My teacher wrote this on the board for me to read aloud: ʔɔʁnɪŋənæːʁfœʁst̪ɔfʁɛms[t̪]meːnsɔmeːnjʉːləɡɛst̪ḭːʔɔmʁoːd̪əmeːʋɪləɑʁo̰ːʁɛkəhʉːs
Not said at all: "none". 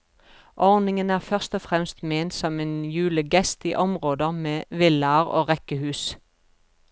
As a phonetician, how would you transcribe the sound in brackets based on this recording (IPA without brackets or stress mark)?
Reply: t̪